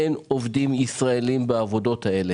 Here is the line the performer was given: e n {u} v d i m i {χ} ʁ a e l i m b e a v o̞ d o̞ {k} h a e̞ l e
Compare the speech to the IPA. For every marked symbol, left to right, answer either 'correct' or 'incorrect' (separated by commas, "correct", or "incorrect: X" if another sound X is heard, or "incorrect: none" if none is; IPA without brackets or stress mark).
incorrect: o, incorrect: s, incorrect: t